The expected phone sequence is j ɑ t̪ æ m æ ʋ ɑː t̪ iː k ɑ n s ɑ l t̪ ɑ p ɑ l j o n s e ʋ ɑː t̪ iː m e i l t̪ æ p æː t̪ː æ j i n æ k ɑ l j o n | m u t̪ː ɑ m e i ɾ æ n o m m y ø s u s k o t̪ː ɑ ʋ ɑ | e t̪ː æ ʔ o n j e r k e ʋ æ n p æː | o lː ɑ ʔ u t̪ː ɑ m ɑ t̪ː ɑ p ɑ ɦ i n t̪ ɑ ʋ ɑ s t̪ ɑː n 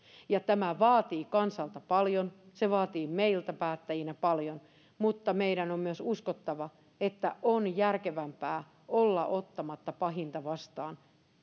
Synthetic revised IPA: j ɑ t̪ æ m æ ʋ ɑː t̪ iː k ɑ n s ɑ l t̪ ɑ p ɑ l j o n s e ʋ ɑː t̪ iː m e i l t̪ æ p æː t̪ː æ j i n æ p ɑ l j o n | m u t̪ː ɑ m e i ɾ æ n o m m y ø s u s k o t̪ː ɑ ʋ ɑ | e t̪ː æ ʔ o n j æ r k e ʋ æ m p æː | o lː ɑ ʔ o t̪ː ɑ m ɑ t̪ː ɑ p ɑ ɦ i n t̪ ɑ ʋ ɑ s t̪ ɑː n